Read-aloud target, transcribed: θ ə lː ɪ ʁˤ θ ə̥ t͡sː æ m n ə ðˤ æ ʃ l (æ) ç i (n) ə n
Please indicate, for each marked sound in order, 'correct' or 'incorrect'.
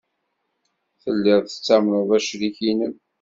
incorrect: i, correct

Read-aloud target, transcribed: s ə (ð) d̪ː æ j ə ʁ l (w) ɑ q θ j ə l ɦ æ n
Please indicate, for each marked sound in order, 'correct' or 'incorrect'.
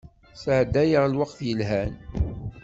incorrect: ʕ, correct

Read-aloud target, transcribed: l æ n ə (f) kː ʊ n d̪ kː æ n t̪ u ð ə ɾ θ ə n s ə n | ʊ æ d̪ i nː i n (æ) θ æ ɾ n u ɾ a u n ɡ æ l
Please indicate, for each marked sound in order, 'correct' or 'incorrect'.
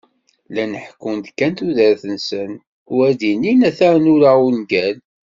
incorrect: ħ, correct

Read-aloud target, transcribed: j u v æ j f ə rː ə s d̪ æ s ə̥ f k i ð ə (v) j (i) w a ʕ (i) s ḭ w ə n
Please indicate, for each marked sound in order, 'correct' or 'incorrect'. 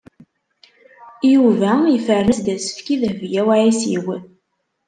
correct, incorrect: æ, correct

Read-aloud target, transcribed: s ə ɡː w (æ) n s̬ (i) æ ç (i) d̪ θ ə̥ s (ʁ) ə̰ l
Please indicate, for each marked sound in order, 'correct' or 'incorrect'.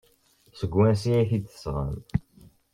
correct, correct, correct, correct

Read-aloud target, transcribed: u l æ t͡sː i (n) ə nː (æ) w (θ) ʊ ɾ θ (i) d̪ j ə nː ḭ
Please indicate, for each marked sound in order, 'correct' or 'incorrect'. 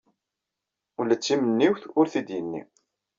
incorrect: m, incorrect: i, correct, correct

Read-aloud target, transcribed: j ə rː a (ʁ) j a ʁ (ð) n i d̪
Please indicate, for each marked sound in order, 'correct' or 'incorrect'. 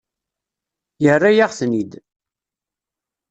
incorrect: none, incorrect: θ

